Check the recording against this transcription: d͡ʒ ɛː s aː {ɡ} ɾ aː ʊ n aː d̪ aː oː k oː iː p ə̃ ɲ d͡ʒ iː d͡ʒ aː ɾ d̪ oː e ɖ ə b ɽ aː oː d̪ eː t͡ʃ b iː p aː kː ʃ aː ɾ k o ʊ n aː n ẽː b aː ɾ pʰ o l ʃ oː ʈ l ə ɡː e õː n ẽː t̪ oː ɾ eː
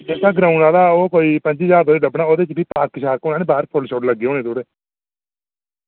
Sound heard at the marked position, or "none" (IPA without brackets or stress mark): ɡ